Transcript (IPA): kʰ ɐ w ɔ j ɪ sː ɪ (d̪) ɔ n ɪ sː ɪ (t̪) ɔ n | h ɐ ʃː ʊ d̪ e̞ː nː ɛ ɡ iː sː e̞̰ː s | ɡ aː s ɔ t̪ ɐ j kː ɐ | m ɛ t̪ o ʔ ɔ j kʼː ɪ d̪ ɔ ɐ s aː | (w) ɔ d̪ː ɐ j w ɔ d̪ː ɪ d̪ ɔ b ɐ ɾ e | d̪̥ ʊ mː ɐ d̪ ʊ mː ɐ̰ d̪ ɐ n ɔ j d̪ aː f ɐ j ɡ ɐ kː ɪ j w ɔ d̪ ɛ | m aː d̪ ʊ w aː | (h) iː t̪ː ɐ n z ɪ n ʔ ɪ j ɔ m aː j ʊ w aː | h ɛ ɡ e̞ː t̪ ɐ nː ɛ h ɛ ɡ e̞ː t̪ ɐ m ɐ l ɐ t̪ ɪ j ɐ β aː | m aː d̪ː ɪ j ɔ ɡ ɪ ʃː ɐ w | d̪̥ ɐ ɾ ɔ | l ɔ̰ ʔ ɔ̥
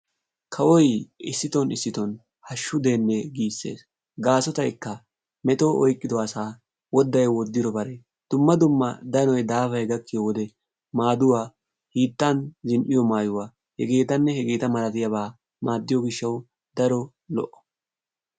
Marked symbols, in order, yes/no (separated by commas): no, yes, yes, yes